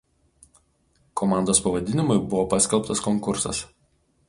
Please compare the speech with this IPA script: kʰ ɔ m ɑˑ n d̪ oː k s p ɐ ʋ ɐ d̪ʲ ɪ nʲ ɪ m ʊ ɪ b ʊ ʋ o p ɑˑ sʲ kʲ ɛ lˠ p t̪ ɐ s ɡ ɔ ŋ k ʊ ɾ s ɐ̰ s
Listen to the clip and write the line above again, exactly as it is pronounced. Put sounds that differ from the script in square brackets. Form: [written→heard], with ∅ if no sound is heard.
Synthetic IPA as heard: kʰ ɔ m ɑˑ n d̪ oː [k→∅] s p ɐ ʋ ɐ d̪ʲ ɪ nʲ ɪ m ʊ ɪ b ʊ ʋ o p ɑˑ sʲ kʲ ɛ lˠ p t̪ ɐ s [ɡ→k] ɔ ŋ k ʊ ɾ s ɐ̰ s